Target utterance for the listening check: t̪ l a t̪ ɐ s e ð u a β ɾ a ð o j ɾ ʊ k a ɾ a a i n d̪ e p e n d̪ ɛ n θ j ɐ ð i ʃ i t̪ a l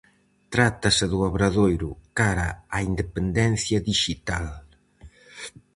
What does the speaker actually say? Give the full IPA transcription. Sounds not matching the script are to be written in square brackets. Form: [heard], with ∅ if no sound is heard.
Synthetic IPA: t̪ [ɾ] a t̪ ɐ s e ð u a β ɾ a ð o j ɾ ʊ k a ɾ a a i n d̪ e p e n d̪ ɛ n θ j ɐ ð i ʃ i t̪ a l